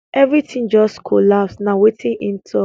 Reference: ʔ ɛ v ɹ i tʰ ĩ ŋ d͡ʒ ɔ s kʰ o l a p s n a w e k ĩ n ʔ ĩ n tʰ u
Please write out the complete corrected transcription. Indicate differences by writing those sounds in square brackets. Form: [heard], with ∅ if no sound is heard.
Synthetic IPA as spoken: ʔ ɛ v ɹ i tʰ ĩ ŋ d͡ʒ ɔ s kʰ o l a p s n a w e [t] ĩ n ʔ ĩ n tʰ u